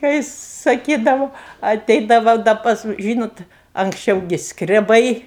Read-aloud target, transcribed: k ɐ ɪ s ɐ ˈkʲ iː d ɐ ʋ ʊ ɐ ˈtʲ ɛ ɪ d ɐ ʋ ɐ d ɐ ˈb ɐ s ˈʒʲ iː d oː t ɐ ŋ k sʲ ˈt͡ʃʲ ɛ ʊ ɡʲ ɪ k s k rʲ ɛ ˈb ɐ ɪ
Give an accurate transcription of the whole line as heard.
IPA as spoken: k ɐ ɪ s ɐ ˈkʲ iː d ɐ ʋ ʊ ɐ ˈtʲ ɛ ɪ d ɐ ʋ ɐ d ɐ ˈp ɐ s ˈʒʲ iː n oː t ɐ ŋ k sʲ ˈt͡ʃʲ ɛ ʊ ɡʲ ɪ s k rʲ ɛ ˈb ɐ ɪ

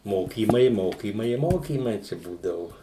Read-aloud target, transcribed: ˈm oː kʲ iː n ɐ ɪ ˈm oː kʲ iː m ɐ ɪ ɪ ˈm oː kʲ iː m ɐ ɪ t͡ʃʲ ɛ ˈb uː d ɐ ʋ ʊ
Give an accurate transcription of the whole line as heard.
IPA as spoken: ˈm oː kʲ iː m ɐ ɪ ˈm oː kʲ iː m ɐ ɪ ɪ ˈm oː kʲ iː m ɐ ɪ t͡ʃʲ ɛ ˈb uː d ɐ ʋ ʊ

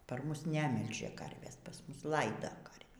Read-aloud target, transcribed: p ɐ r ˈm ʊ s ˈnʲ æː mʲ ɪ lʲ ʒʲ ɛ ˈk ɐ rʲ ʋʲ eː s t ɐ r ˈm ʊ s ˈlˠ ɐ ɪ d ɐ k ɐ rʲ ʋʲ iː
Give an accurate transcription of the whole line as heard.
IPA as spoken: p ɐ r ˈm ʊ s ˈnʲ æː mʲ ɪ lʲ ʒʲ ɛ ˈk ɐ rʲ ʋʲ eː s p ɐ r ˈm ʊ s ˈlˠ ɐ ɪ d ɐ k ɐ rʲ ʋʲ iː

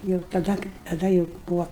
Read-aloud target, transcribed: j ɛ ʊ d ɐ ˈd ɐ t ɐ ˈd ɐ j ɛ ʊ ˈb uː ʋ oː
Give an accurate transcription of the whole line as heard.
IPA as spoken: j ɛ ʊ t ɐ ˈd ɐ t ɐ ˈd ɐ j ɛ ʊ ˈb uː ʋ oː

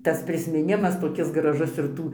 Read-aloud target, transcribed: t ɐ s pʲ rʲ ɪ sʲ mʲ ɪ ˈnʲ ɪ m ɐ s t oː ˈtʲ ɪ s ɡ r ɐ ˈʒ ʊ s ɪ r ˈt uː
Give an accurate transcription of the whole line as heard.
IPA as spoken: t ɐ s pʲ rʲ ɪ sʲ mʲ ɪ ˈnʲ ɪ m ɐ s t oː ˈkʲ ɪ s ɡ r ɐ ˈʒ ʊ s ɪ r ˈt uː

